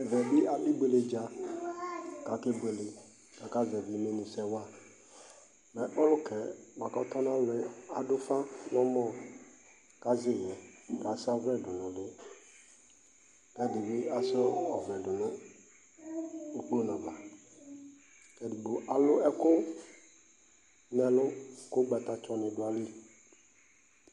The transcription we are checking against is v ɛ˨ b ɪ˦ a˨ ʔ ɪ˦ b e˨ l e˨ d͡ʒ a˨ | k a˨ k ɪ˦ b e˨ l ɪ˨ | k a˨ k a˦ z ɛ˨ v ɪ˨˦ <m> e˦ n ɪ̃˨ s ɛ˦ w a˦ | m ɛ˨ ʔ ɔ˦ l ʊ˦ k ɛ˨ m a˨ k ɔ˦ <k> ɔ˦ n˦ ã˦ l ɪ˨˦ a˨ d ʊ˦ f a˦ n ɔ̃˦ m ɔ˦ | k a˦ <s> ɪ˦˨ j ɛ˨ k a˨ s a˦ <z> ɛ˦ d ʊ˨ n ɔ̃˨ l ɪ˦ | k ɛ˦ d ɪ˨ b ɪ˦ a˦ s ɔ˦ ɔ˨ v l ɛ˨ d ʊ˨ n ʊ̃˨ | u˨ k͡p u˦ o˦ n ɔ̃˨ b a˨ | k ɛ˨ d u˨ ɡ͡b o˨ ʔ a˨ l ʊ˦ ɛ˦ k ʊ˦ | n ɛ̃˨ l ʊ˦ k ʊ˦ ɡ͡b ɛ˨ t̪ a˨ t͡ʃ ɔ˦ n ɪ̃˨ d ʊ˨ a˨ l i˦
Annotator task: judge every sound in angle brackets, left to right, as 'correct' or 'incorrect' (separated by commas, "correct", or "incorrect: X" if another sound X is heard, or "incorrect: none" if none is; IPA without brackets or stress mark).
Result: correct, incorrect: t, incorrect: z, incorrect: v